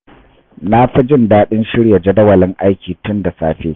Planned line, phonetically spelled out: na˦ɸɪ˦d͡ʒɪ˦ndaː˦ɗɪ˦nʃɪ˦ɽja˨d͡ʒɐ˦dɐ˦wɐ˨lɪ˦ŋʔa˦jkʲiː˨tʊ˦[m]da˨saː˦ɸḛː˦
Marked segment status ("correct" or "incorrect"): incorrect